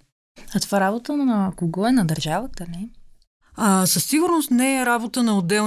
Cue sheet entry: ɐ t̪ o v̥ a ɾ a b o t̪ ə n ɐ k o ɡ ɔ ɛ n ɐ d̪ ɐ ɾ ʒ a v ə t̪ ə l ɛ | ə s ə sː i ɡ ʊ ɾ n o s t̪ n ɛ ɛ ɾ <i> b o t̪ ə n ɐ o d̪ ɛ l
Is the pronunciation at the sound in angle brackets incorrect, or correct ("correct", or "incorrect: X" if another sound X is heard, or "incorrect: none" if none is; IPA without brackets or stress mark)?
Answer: incorrect: a